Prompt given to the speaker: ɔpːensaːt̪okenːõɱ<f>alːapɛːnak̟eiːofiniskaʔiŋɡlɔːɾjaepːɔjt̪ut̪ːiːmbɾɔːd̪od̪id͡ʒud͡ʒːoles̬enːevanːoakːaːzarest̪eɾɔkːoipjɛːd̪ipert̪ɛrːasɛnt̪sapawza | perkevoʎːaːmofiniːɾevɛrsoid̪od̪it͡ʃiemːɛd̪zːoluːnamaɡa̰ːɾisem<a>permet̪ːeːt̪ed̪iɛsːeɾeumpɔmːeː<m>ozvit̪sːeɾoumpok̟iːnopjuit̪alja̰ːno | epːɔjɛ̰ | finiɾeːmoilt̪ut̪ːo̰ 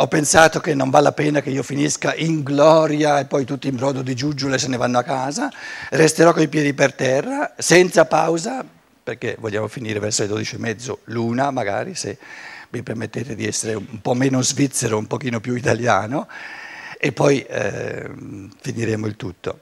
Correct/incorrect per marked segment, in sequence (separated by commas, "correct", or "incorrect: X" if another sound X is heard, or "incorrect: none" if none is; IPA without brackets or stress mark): incorrect: v, incorrect: i, incorrect: n